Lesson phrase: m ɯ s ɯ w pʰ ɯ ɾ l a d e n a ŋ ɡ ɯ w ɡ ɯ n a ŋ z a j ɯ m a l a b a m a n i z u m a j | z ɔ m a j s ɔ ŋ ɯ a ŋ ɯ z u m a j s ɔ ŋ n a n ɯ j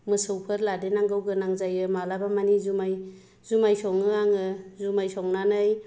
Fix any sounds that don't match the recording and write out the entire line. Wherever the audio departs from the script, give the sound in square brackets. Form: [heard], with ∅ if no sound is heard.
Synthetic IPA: m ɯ s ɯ w pʰ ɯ ɾ l a d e n a ŋ ɡ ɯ w ɡ ɯ n a ŋ z a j ɯ m a l a b a m a n i z u m a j | z [u] m a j s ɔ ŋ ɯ a ŋ ɯ z u m a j s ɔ ŋ n a n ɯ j